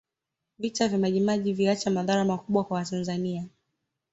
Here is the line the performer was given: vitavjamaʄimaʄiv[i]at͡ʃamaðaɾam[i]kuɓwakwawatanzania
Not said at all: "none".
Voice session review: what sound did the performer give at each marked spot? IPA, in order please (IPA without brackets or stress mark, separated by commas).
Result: i, a